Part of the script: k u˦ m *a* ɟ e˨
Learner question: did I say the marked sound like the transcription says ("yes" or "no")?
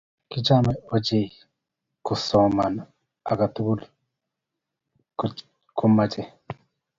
yes